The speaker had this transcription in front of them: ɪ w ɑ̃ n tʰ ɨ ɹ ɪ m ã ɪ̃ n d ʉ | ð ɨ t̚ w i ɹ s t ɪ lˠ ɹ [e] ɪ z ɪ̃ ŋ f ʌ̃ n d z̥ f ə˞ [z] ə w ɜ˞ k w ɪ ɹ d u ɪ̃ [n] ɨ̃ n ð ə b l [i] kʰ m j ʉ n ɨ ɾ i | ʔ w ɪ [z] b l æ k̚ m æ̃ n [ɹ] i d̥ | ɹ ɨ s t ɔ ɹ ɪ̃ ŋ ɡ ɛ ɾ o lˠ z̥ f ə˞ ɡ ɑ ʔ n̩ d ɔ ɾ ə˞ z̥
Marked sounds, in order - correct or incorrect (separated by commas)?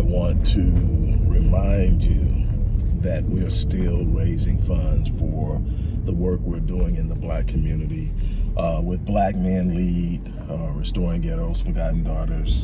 correct, incorrect, incorrect, incorrect, incorrect, incorrect